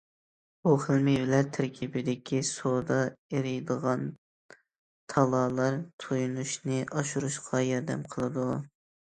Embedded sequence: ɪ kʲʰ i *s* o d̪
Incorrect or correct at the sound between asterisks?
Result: correct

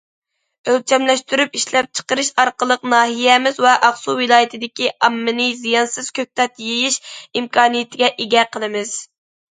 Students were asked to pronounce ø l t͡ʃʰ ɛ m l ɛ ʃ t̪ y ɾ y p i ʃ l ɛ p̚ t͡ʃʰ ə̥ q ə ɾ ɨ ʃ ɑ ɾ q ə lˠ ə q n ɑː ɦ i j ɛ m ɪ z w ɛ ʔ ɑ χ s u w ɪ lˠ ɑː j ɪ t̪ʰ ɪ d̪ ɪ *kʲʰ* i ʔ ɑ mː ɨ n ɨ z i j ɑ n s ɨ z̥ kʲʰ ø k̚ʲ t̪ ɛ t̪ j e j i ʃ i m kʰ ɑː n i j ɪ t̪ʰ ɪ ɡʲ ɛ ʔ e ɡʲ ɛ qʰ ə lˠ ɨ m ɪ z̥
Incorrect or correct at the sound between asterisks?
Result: incorrect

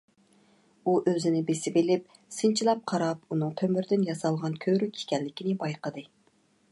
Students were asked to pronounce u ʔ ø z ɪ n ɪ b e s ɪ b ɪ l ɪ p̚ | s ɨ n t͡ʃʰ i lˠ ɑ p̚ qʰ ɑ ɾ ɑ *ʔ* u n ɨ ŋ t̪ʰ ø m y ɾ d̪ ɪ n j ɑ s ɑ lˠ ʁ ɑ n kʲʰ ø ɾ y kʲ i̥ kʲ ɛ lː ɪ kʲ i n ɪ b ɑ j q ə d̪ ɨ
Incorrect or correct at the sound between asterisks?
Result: incorrect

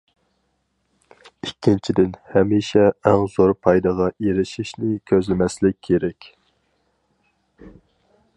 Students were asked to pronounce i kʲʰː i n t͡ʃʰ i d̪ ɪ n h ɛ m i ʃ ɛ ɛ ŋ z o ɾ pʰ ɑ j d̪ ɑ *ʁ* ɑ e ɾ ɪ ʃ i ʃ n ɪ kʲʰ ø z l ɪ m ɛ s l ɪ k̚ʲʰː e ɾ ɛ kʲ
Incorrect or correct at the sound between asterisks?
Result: correct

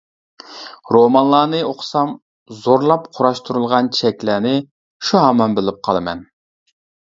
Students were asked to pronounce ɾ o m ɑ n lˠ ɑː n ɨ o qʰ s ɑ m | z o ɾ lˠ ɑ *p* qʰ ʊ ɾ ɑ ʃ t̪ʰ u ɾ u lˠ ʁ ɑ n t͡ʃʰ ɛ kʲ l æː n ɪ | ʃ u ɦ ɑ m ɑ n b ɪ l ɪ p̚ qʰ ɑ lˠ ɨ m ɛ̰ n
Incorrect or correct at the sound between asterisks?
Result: correct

